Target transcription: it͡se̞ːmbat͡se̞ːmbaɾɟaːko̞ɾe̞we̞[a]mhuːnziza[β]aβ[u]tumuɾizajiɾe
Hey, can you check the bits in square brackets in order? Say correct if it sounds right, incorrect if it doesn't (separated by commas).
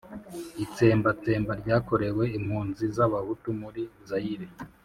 incorrect, correct, correct